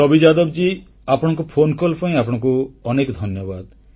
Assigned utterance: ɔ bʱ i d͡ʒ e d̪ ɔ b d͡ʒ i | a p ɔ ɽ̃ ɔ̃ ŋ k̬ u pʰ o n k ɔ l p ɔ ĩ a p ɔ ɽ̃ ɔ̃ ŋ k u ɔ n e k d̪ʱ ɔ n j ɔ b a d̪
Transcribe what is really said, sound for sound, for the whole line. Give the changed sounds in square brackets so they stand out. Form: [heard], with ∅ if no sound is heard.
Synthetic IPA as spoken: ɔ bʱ i d͡ʒ [a] d̪ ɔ b d͡ʒ i | a p ɔ ɽ̃ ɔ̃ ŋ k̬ u pʰ o n k ɔ l p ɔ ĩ a p ɔ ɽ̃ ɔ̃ ŋ k u ɔ n e k d̪ʱ ɔ n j ɔ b a d̪

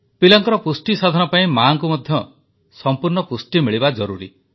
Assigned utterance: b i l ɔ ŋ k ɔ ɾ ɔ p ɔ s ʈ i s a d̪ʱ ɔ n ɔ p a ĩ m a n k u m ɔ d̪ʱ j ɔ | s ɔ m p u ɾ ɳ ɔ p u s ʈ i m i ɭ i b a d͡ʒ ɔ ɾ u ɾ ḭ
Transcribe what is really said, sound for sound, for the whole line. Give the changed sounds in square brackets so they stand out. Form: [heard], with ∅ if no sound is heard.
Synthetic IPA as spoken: [p] i l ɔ ŋ k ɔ ɾ ɔ p [u] s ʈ i s a d̪ʱ ɔ n ɔ p a ĩ m a [ŋ] k u m ɔ d̪ʱ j ɔ | s ɔ m p u ɾ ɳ ɔ p u s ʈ i m i ɭ i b a d͡ʒ ɔ ɾ u ɾ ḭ

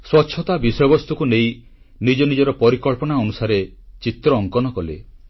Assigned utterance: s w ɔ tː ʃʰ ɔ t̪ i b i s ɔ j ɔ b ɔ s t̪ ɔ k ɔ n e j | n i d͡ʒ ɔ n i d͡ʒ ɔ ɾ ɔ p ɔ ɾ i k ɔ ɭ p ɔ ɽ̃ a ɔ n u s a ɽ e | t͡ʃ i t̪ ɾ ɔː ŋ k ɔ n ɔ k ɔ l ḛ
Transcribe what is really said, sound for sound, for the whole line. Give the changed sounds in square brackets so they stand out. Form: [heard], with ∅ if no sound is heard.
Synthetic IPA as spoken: s w ɔ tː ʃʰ ɔ t̪ [a] b i s ɔ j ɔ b ɔ s t̪ [u] k [u] n e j | n i d͡ʒ ɔ n i d͡ʒ ɔ ɾ ɔ p ɔ ɾ i k ɔ ɭ p ɔ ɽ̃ a ɔ n u s a [ɾ] e | t͡ʃ i t̪ ɾ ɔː ŋ k ɔ n ɔ k ɔ l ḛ

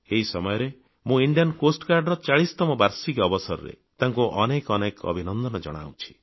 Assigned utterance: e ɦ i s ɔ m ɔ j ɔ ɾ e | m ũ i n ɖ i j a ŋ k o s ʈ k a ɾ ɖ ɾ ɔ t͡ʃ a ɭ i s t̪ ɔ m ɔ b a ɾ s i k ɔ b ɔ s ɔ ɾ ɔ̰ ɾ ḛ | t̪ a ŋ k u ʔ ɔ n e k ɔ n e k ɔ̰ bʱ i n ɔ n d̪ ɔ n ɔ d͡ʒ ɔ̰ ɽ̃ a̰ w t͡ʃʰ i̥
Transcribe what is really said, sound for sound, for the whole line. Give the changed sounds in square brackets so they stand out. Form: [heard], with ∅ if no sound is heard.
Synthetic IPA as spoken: e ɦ i s ɔ m ɔ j ɔ ɾ e | m ũ i [ɳ] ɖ i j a [n] k o s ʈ k a ɾ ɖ ɾ ɔ t͡ʃ a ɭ i s t̪ ɔ m ɔ b a ɾ s i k ɔ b ɔ s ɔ ɾ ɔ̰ ɾ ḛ | t̪ a ŋ k u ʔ ɔ n e k ɔ n e k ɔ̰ bʱ i n ɔ n d̪ ɔ n ɔ d͡ʒ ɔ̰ ɽ̃ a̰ w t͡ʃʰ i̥

